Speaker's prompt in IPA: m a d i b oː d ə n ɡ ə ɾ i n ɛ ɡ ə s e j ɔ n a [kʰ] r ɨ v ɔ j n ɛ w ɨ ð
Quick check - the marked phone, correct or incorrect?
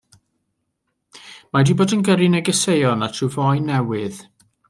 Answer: incorrect